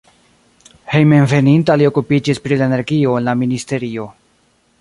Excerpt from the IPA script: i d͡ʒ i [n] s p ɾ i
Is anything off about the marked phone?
yes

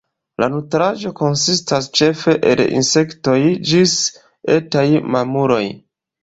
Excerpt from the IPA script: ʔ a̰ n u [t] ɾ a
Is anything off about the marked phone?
no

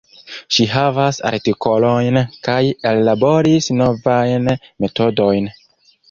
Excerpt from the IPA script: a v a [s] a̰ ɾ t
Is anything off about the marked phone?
no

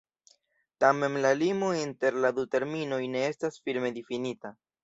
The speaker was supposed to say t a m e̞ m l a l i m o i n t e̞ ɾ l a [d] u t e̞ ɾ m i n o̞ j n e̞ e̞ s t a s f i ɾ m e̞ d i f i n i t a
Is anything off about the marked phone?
no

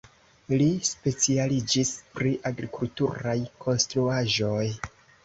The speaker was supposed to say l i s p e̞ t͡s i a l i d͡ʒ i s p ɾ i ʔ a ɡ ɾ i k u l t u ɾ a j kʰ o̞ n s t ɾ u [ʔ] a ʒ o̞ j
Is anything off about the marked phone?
yes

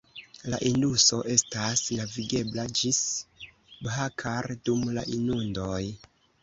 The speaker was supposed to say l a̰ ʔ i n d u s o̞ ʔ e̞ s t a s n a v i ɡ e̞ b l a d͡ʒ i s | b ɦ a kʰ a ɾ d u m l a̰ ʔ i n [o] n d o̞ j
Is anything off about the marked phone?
yes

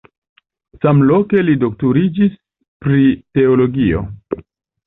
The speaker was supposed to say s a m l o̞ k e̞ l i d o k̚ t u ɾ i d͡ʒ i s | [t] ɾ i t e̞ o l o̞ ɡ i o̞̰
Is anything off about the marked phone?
yes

